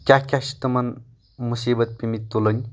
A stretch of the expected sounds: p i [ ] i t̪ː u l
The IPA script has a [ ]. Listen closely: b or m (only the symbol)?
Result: m